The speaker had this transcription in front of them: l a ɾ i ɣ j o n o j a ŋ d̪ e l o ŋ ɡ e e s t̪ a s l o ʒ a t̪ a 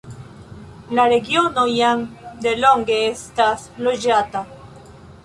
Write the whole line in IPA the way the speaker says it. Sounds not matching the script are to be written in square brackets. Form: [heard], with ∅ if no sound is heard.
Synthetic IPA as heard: l a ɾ [e] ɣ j o n o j a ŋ d̪ e l o ŋ ɡ e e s t̪ a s l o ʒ a t̪ a